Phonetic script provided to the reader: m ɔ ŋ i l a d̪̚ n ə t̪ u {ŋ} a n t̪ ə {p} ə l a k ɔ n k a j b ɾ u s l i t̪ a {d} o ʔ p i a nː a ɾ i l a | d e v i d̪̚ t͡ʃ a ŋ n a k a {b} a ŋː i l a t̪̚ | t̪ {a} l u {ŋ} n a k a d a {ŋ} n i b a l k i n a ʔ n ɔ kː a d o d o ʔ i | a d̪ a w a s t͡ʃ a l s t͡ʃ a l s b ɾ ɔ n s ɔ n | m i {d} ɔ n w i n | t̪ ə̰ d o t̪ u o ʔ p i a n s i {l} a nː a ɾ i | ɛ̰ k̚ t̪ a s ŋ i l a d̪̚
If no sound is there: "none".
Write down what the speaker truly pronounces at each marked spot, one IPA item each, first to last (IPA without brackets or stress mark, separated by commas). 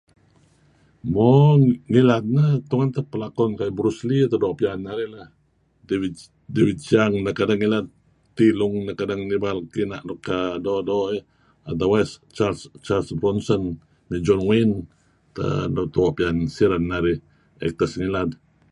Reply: ŋ, p, d, d, i, ŋ, ŋ, d͡ʒ, ɾ